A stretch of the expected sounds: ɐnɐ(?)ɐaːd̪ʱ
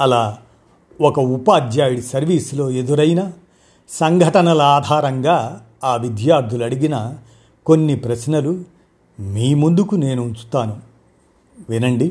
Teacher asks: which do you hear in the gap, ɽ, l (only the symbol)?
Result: l